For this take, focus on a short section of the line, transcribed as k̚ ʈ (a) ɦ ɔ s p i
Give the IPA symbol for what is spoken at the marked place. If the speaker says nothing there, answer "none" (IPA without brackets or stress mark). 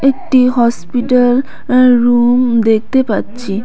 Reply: i